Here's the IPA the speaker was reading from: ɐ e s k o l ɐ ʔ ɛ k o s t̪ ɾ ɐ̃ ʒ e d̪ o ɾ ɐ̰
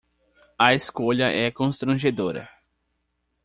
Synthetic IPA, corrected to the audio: ɐ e s k o ʎ ɐ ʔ ɛ k õ s t̪ ɾ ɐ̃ ʒ e d̪ o ɾ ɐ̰